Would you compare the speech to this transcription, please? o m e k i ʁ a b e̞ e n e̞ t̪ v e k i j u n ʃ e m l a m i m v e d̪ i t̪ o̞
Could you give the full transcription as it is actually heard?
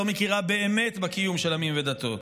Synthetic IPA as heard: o m e k i ʁ a b e̞ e m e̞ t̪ b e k i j u m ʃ e l a m i m v e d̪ a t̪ o̞